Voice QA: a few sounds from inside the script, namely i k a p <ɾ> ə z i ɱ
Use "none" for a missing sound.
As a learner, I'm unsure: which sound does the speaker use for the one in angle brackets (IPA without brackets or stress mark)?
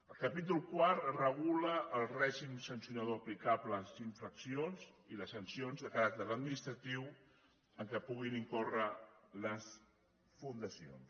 l